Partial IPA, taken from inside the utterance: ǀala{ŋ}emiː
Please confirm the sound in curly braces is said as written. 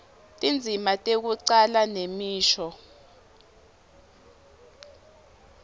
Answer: no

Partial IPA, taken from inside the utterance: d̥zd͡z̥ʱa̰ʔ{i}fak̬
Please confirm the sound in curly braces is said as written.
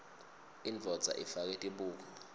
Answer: yes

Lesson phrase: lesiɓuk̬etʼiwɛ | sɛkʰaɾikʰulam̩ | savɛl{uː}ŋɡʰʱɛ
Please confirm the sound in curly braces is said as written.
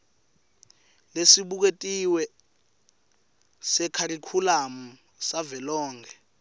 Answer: no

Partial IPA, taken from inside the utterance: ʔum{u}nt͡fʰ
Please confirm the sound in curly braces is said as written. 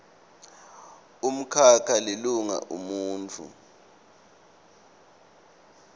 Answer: no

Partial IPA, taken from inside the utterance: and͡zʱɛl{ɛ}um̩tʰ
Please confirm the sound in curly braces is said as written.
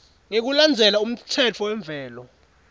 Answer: no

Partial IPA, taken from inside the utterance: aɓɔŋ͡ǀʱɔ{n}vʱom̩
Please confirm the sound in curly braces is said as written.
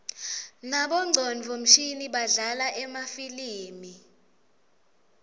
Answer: yes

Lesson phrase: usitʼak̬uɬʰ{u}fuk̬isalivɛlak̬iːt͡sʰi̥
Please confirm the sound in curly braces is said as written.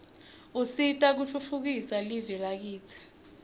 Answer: yes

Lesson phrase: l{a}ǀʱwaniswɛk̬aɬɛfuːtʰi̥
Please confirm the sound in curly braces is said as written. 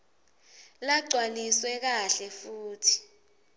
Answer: yes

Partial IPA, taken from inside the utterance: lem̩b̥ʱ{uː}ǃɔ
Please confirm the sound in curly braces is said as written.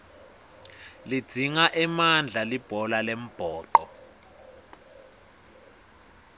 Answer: no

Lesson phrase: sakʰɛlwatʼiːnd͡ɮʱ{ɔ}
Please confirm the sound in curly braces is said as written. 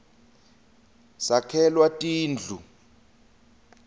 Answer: no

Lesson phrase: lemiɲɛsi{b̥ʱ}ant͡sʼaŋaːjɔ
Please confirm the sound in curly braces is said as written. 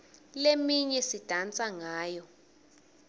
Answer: no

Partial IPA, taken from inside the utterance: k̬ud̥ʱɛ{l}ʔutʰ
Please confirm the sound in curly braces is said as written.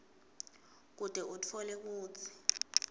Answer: no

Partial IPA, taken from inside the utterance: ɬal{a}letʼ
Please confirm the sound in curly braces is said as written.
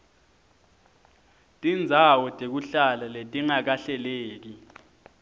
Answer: yes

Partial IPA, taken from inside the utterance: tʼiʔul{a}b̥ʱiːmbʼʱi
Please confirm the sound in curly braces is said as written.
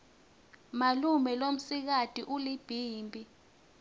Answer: no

